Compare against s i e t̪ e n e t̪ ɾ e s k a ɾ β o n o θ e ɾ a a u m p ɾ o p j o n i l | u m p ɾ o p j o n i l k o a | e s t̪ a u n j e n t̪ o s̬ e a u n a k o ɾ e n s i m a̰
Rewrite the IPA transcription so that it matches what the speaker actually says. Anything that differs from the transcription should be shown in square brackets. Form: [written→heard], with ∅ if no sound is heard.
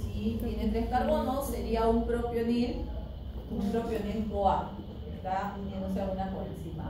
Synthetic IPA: s i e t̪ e n e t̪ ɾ e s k a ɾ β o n o [θ→s] e ɾ [a→i] a u m p ɾ o p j o n i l | u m p ɾ o p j o n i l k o a | e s t̪ a u n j e n [t̪→d̪] o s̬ e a u n a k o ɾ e n s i m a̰

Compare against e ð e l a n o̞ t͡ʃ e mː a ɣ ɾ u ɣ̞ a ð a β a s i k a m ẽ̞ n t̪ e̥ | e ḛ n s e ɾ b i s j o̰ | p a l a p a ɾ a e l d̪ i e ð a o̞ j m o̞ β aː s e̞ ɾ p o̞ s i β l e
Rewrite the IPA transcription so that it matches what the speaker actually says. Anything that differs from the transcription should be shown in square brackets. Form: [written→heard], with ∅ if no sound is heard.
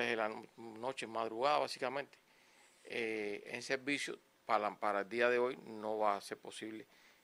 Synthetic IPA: e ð e l a n o̞ t͡ʃ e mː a [ɣ→ð] ɾ u ɣ̞ a ð a β a s i k a m ẽ̞ n t̪ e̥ | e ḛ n s e ɾ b i s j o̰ | p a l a p a ɾ a e l d̪ i [e→a] ð [a→e] o̞ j [m→n] o̞ β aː s e̞ ɾ p o̞ s i β l e

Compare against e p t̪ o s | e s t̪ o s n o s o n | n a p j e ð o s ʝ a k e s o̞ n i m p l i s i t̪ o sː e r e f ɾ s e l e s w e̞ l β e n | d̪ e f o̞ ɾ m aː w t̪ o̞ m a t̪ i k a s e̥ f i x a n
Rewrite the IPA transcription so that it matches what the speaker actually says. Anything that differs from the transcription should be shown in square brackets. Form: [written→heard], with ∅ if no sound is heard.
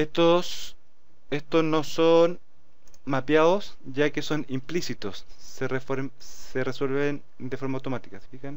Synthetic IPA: e [p→∅] t̪ o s | e s t̪ o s n o s o n | [n→m] a p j [e→a] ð o s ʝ a k e s o̞ n i m p l i s i t̪ o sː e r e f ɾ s e [l→r] e s w e̞ l β e n | d̪ e f o̞ ɾ m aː w t̪ o̞ m a t̪ i k a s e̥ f i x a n

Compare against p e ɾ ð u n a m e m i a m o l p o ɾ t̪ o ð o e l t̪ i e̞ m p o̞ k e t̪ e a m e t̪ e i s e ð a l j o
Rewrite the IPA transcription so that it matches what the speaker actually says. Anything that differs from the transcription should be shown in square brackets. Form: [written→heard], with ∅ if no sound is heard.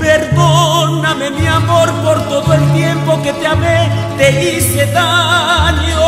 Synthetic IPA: p e ɾ ð [u→o] n a m e m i a m o [l→ɾ] p o ɾ t̪ o ð o e l t̪ [i→j] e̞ m p o̞ k e t̪ e a m e t̪ e i s e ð a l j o

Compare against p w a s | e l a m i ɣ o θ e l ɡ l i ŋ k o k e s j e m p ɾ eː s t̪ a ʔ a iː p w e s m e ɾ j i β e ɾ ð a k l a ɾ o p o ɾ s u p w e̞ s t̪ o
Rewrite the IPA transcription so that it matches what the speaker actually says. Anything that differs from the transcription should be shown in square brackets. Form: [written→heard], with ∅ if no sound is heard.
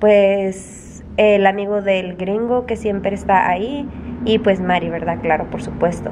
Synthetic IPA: p w [a→e] s | e l a m i ɣ o [θ→ð] e l ɡ [l→ɾ] i ŋ [k→ɡ] o k e s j e m p ɾ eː s t̪ a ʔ a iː p w e s m [e→a] ɾ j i β e ɾ ð a k l a ɾ o p o ɾ s u p w e̞ s t̪ o

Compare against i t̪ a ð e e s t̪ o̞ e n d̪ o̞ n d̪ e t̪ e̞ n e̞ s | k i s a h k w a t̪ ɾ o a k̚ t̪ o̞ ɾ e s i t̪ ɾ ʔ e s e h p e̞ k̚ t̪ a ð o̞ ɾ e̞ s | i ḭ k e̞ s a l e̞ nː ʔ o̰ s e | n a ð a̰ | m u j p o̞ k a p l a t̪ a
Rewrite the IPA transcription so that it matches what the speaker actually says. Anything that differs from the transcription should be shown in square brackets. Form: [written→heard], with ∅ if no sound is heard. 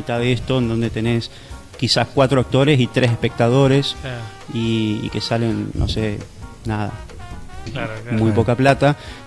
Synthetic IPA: i t̪ a ð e e s t̪ o̞ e n d̪ o̞ n d̪ e t̪ e̞ n e̞ s | k i s a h k w a t̪ ɾ o a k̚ t̪ o̞ ɾ e s i t̪ ɾ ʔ e s e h p e̞ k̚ t̪ a ð o̞ ɾ e̞ s | i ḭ k e̞ s a l e̞ nː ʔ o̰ s e | n a ð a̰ | m u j p o̞ k a p l a t̪ a

